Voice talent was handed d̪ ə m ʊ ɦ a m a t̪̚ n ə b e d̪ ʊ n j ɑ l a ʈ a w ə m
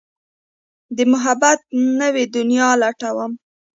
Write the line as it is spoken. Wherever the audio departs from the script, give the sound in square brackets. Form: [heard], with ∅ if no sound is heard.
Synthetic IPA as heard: d̪ ə m ʊ ɦ a [b] a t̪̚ n ə [w] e d̪ ʊ n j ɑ l a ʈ a w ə m